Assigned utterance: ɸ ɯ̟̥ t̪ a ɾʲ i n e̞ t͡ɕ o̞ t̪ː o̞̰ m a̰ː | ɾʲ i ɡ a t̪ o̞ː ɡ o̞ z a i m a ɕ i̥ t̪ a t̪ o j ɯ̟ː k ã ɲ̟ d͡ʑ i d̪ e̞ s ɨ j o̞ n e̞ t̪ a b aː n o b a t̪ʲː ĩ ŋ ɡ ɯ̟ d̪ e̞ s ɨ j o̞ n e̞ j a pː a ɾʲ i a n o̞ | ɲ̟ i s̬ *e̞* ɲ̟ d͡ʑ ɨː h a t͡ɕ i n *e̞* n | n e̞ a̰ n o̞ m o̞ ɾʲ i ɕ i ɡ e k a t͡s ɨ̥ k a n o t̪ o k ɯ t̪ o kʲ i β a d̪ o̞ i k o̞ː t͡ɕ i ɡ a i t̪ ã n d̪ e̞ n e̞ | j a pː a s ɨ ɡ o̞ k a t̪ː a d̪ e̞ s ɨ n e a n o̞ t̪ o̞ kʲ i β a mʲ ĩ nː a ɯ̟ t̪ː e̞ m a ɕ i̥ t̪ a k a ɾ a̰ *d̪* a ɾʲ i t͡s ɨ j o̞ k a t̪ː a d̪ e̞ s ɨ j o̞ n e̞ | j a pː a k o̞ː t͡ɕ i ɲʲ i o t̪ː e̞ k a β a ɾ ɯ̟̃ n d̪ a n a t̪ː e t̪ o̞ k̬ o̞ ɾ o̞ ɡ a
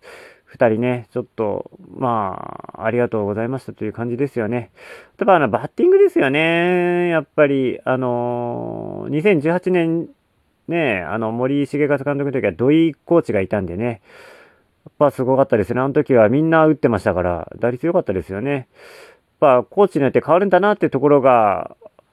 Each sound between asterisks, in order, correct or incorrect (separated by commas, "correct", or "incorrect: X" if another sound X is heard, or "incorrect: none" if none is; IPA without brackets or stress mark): incorrect: ẽ̞, incorrect: ẽ̞, correct